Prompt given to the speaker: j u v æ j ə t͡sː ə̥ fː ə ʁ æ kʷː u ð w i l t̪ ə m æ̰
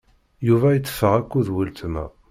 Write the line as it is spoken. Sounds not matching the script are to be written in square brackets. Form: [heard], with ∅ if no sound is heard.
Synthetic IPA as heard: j u v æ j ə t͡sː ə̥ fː ə ʁ æ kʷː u ð w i l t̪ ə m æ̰